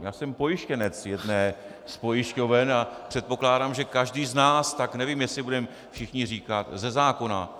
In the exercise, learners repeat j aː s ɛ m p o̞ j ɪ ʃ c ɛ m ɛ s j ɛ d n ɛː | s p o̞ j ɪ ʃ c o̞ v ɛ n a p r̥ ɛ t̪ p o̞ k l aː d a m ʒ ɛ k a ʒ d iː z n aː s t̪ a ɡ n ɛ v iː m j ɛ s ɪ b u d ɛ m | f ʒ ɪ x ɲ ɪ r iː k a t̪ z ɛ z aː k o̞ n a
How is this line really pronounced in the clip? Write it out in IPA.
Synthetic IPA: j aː s ɛ m p o̞ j ɪ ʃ c ɛ n ɛ t͡s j ɛ d n ɛː | s p o̞ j ɪ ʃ c o̞ v ɛ n a p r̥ ɛ t̪ p o̞ k l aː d a m ʒ ɛ k a ʒ d iː z n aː s t̪ a k n ɛ v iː m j ɛ s ɪ b u d ɛ m | f ʃ ɪ x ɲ ɪ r iː k a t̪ z ɛ z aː k o̞ n a